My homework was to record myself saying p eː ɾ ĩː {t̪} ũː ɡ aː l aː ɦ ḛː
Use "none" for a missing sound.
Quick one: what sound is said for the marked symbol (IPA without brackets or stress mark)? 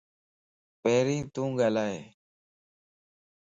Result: t̪